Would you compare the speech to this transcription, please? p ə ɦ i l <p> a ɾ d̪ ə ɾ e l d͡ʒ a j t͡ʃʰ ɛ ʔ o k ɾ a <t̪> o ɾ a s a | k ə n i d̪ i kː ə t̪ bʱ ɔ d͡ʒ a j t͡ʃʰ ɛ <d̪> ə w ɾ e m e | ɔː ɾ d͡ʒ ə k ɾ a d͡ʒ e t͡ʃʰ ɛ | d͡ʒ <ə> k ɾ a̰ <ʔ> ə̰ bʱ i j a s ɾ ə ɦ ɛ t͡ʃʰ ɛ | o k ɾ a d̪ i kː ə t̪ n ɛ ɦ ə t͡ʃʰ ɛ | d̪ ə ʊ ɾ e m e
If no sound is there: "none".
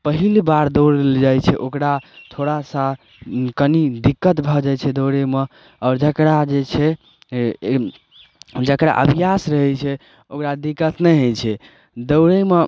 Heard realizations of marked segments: b, t̪ʰ, d̪, ə, ʔ

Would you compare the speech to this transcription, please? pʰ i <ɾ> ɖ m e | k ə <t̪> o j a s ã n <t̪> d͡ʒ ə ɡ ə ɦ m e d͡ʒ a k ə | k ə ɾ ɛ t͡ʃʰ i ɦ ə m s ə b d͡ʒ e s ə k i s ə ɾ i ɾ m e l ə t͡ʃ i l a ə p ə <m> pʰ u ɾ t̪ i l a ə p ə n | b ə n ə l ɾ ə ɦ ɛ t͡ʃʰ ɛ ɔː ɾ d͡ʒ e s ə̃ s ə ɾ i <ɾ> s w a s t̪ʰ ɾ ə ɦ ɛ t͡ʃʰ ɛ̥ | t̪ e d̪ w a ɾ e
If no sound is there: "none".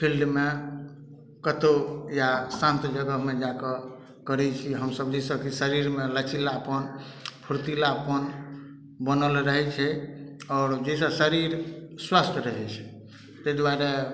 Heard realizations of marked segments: l, t̪, t̪, n, ɾ

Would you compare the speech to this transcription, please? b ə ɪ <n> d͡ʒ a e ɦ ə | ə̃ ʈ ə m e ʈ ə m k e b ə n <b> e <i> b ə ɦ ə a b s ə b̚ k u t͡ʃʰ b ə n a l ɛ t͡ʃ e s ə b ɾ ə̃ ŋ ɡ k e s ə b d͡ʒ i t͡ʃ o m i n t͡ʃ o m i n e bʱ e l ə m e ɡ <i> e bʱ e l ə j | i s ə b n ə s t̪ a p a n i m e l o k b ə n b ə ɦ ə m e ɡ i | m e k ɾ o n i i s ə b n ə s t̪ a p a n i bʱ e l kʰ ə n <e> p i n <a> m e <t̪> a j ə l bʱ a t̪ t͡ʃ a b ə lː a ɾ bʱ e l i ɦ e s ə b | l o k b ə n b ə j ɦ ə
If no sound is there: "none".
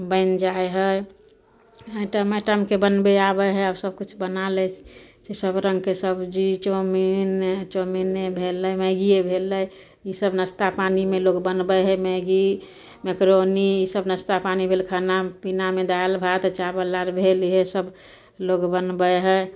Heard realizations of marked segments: n, b, a, i, a, a, d̪

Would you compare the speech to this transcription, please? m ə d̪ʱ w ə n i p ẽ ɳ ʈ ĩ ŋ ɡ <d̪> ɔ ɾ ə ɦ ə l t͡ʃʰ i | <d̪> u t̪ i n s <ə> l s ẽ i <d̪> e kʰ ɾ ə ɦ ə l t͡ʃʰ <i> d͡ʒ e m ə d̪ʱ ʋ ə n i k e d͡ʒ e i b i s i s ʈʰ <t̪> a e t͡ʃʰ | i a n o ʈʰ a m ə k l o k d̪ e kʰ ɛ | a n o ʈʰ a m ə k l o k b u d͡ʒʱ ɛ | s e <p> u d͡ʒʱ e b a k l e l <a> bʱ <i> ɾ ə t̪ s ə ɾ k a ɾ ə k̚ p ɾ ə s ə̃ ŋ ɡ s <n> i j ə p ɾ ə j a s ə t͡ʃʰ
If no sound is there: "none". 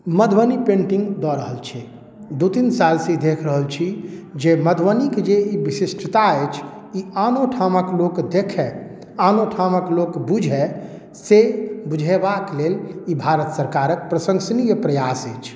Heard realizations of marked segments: d̪, d̪, a, d̪, i, t̪, b, i, a, n

